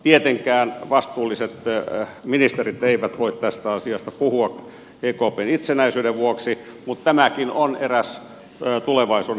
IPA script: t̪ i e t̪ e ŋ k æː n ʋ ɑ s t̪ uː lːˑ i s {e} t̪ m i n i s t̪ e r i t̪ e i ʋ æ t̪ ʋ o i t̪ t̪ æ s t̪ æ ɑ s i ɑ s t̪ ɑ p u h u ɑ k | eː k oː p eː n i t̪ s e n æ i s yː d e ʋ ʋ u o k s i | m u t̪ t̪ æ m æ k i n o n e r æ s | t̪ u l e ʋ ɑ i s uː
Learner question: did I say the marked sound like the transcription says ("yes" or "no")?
yes